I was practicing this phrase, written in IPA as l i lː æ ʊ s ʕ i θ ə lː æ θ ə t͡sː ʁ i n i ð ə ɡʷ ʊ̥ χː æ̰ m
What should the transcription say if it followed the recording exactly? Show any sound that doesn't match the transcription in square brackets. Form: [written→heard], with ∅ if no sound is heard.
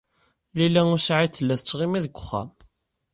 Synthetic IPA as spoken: l i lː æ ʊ s ʕ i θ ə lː æ θ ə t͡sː ʁ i [n→m] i ð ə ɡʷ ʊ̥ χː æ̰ m